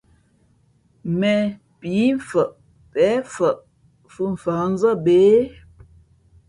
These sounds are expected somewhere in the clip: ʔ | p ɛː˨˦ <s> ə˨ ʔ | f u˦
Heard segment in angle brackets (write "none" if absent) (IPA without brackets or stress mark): f